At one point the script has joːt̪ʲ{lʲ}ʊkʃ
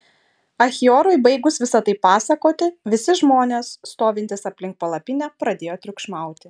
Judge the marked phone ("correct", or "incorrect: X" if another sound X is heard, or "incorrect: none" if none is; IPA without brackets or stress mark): incorrect: ɾʲ